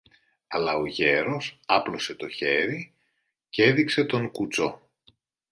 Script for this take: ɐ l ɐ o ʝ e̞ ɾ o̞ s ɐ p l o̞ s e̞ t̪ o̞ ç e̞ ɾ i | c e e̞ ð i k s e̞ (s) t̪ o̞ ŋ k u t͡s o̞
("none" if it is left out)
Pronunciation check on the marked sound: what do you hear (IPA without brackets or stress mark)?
none